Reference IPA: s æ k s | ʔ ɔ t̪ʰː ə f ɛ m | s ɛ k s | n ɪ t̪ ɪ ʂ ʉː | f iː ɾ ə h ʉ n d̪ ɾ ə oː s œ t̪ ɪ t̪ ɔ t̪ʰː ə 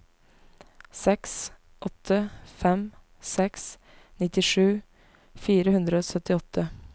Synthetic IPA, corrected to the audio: s ɛ k s | ʔ ɔ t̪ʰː ə f ɛ m | s ɛ k s | n ɪ t̪ ɪ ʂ ʉː | f iː ɾ ə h ʉ n d̪ ɾ ə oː s œ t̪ ɪ ɔ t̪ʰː ə